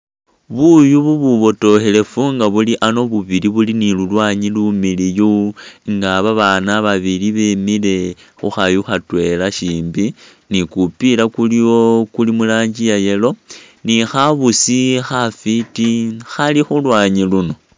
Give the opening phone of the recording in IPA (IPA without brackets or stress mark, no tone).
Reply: β